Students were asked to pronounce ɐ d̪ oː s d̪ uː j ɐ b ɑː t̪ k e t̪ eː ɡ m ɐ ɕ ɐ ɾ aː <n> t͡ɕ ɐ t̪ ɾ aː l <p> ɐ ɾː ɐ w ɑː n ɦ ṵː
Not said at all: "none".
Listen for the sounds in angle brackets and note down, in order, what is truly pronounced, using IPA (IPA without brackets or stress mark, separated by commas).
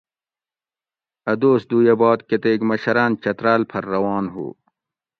n, pʰ